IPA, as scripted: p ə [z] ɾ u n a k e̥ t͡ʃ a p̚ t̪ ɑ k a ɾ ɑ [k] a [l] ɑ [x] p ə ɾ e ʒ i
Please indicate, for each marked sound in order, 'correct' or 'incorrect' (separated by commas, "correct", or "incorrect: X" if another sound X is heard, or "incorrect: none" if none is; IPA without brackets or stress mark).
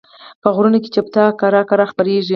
incorrect: ɣ, correct, incorrect: ɾ, correct